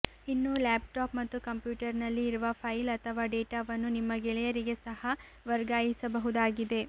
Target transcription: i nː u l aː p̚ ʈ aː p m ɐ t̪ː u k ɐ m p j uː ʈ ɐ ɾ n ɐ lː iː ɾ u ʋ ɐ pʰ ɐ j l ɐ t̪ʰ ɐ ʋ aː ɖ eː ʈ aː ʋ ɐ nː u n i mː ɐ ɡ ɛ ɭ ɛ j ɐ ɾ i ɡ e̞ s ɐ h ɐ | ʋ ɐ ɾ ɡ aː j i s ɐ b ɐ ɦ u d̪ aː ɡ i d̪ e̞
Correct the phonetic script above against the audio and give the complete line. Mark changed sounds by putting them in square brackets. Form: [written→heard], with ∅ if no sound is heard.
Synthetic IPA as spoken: i nː u l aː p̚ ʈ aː p m ɐ t̪ː u k ɐ m p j uː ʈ ɐ ɾ n ɐ lː iː ɾ u ʋ ɐ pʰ ɐ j l ɐ t̪ʰ ɐ ʋ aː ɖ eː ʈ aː ʋ ɐ nː u n i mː ɐ ɡ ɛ ɭ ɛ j ɐ ɾ i ɡ e̞ s ɐ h ɐ | ʋ ɐ ɾ ɡ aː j i s ɐ b ɐ ɦ u d̪ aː ɡ i d̪ e̞